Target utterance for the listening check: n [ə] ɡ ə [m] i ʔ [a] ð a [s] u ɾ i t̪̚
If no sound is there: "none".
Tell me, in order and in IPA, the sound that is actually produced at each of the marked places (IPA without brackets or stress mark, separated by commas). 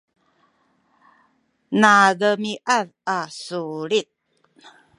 a, m, a, s